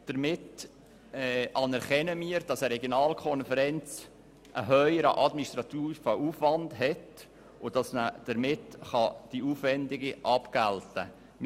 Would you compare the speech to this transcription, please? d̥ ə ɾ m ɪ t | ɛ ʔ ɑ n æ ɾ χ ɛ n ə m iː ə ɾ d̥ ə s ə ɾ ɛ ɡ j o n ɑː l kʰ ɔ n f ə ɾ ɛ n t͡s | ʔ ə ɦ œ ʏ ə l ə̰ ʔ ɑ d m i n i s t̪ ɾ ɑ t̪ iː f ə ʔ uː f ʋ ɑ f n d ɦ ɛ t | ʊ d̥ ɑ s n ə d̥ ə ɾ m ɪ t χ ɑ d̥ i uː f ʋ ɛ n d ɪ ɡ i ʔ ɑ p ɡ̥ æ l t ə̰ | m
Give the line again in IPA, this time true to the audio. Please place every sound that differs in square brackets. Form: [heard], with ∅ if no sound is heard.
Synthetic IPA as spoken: d̥ ə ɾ m ɪ t | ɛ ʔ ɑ n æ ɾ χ ɛ n ə m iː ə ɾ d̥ [ɑ] s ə ɾ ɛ ɡ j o n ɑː l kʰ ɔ n f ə ɾ ɛ n t͡s | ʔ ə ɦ œ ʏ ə [ɾ] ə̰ ʔ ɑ d m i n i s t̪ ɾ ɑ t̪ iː f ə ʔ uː f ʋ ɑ [∅] n d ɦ ɛ t | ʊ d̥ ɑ s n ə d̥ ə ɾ m ɪ t χ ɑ d̥ i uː f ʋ ɛ n d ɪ ɡ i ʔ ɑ p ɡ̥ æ l t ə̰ | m